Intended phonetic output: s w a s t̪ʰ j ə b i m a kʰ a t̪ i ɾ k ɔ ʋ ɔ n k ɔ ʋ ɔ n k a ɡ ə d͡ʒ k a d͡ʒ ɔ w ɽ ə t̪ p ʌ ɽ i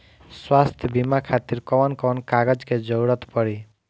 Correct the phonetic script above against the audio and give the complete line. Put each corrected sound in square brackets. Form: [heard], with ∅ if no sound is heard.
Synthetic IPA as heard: s w a s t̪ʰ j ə b i m a kʰ a t̪ i ɾ k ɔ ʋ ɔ n k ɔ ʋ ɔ n k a ɡ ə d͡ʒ k [e] d͡ʒ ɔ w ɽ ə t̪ p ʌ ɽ i